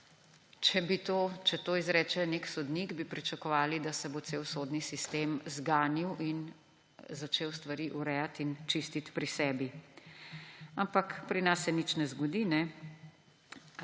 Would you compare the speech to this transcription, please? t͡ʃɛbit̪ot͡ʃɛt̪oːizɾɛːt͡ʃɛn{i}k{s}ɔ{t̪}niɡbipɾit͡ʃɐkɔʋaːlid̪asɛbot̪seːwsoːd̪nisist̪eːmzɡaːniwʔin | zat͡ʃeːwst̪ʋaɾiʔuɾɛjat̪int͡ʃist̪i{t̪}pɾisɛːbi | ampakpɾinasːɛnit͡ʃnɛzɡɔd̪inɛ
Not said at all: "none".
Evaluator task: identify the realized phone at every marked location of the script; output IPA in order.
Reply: e, s, d̪, t̪

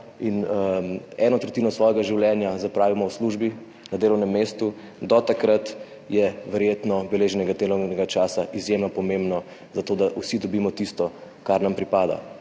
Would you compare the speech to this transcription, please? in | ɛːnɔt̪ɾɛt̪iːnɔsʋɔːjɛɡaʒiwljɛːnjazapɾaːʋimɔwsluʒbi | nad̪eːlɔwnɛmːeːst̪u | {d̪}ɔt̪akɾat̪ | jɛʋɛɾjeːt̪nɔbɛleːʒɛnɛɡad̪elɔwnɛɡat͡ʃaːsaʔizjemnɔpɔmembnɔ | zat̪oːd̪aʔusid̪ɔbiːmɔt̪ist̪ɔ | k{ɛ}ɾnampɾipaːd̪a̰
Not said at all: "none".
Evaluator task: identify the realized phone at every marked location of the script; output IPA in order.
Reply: d̪, a

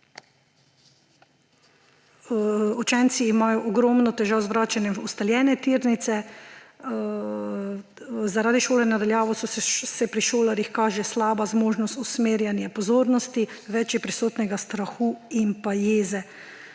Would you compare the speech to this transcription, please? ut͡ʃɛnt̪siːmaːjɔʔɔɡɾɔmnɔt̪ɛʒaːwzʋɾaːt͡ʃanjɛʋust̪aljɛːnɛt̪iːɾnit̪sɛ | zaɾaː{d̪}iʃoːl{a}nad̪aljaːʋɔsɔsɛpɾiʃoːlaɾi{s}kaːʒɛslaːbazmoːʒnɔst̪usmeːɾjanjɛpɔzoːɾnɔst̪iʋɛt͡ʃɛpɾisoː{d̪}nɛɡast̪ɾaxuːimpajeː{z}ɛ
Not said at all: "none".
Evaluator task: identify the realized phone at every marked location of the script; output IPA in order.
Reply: d̪, ɛ, x, t̪, z

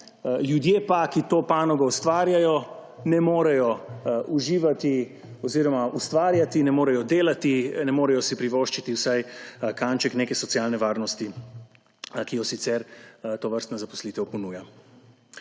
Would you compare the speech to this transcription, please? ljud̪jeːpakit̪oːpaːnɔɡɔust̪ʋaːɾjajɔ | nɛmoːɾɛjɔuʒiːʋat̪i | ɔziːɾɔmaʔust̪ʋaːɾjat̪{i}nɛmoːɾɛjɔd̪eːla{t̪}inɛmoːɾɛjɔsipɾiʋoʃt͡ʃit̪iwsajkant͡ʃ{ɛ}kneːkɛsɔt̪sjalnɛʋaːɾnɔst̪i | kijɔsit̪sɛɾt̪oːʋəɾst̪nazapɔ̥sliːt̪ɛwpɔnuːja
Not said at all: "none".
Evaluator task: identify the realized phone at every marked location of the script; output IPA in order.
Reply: i, t̪, ɛ

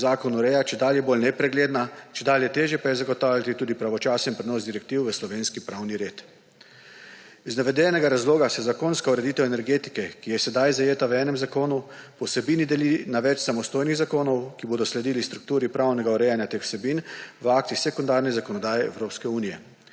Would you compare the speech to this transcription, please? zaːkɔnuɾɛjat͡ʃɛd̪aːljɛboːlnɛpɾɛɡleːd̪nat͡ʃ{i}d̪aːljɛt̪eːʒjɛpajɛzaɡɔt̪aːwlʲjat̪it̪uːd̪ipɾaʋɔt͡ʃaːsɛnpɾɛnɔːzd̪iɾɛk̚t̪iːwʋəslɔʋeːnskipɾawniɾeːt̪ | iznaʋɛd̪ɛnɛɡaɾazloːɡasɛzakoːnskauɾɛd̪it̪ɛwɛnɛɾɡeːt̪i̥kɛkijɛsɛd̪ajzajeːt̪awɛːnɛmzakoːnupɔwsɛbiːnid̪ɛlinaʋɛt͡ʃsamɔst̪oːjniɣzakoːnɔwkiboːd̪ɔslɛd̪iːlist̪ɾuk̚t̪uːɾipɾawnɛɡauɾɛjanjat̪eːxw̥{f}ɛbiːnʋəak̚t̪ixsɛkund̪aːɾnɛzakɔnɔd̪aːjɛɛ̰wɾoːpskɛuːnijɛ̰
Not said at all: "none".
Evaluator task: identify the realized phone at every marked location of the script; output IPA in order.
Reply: ɛ, s

